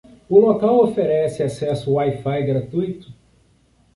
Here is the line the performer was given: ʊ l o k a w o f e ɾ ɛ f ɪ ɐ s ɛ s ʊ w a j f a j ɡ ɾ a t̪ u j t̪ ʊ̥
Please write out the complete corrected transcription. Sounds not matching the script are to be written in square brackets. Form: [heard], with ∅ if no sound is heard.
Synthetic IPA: ʊ l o k a w o f e ɾ ɛ [s] ɪ [a] s ɛ s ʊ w a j f a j ɡ ɾ a t̪ u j t̪ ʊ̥